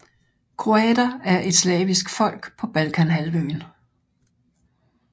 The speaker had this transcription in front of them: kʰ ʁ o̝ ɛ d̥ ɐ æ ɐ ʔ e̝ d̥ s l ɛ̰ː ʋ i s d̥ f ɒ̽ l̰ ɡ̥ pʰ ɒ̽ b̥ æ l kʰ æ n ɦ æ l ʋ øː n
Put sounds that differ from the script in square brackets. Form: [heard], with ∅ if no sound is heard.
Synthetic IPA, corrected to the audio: kʰ ʁ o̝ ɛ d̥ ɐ æ ɐ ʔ e̝ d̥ s l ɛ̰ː ʋ i s [ɡ̥] f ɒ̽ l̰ ɡ̥ pʰ ɒ̽ b̥ æ l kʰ æ n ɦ æ l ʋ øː n